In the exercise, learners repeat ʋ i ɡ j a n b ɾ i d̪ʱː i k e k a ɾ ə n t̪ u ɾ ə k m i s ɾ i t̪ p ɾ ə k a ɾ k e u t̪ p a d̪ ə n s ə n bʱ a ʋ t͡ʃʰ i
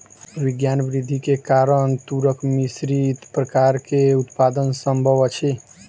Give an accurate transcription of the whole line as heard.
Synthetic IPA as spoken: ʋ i ɡ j a n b ɾ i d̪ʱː i k e k a ɾ ə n t̪ u ɾ ə k m i s ɾ i t̪ p ɾ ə k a ɾ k e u t̪ p a d̪ ə n s ə m bʱ ə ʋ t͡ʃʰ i